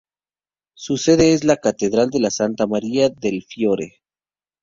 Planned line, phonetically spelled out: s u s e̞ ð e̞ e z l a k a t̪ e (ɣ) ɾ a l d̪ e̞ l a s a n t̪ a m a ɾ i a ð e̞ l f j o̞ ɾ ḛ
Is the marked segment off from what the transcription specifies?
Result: yes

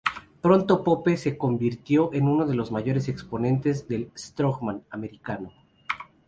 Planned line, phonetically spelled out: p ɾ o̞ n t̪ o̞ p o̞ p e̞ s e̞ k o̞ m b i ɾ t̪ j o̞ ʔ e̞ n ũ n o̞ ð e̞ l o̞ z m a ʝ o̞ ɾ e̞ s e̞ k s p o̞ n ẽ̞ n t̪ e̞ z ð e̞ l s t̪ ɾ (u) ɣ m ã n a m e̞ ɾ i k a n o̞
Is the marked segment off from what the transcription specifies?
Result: yes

